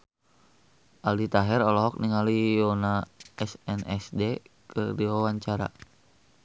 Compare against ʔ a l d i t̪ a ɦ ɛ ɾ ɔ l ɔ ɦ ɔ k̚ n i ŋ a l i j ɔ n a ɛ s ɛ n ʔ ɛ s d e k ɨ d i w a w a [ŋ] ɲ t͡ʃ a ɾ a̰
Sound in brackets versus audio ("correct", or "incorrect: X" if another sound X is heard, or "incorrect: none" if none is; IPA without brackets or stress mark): incorrect: none